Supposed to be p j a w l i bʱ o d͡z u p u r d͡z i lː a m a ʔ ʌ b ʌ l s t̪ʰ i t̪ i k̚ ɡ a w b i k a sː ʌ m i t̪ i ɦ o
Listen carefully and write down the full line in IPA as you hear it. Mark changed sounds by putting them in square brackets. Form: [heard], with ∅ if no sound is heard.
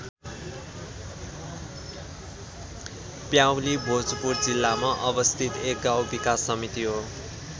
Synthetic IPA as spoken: p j a w l i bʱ o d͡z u p u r d͡z i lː a m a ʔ ʌ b ʌ [∅] s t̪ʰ i t̪ [e] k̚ ɡ a w b i k a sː ʌ m i t̪ i ɦ o